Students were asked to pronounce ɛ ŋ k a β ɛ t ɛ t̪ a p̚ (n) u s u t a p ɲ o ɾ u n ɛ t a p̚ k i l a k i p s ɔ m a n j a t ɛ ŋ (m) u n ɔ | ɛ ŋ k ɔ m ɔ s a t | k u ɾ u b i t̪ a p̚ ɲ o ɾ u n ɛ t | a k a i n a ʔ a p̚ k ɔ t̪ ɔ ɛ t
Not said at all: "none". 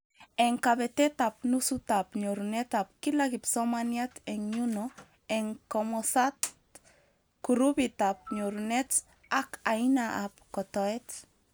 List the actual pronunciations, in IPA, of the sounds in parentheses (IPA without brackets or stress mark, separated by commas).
n, ɲ